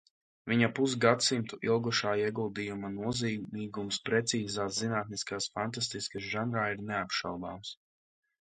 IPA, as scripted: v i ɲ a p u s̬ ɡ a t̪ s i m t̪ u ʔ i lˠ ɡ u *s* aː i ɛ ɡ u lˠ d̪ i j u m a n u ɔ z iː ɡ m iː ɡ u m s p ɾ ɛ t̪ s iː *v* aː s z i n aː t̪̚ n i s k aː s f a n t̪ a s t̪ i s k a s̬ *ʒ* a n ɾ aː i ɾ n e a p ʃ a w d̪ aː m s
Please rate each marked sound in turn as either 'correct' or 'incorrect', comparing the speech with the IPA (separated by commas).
incorrect, incorrect, correct